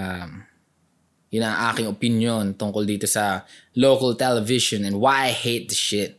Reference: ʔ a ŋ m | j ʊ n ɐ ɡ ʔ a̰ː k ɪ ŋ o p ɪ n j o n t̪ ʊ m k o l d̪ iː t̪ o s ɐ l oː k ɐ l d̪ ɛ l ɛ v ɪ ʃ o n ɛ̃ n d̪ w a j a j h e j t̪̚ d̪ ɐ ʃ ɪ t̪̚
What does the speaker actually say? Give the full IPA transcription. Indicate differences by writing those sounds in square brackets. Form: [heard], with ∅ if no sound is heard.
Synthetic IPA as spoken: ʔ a [∅] m | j ʊ n ɐ [ŋ] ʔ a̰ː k ɪ ŋ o p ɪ n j o n t̪ ʊ [ŋ] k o l d̪ iː t̪ o s ɐ l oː k ɐ l [t̪] ɛ l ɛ v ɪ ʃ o n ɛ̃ n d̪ w a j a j h e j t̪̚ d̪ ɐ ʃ ɪ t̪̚